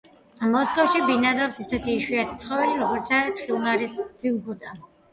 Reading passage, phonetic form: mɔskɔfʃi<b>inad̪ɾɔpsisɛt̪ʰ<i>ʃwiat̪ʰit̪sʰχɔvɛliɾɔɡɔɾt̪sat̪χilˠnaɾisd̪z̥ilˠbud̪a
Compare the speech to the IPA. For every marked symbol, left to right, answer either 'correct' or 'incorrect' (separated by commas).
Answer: correct, incorrect